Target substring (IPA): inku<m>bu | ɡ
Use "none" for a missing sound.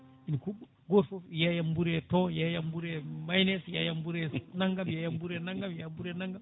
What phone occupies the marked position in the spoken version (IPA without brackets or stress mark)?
none